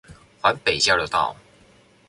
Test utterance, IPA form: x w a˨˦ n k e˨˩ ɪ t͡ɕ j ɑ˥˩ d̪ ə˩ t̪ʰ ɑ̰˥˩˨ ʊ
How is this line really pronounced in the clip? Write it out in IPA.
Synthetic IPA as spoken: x w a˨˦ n p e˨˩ ɪ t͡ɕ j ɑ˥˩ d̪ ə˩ t̪ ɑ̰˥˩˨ ʊ